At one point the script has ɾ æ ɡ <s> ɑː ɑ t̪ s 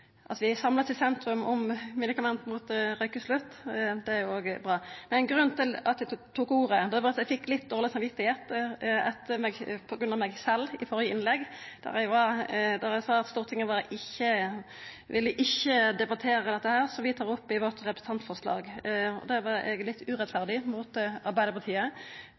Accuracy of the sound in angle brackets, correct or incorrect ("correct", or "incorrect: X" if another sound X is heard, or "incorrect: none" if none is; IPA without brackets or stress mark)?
correct